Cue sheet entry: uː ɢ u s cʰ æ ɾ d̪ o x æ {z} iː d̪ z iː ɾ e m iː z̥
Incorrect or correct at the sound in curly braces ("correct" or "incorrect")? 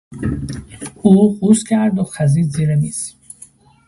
correct